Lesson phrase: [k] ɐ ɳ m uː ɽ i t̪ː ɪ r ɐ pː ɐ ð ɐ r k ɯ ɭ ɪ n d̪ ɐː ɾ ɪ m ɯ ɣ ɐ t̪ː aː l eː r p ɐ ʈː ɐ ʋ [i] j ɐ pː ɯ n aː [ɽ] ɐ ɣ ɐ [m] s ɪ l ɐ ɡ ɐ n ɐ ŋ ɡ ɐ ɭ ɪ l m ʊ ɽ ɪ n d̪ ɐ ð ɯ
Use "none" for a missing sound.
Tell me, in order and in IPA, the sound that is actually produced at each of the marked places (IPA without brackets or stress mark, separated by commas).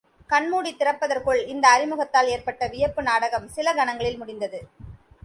k, ɪ, ɽ, m